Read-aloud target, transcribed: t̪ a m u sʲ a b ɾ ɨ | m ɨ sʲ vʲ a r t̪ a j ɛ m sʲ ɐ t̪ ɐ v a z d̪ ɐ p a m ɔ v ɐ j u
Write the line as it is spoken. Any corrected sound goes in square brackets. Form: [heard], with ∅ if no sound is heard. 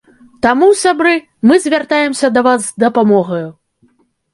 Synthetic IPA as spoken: t̪ a m u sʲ a b ɾ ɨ | m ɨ [zʲ] vʲ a r t̪ a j ɛ m sʲ ɐ [d̪] ɐ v a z d̪ ɐ p a m ɔ [ɣ] ɐ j u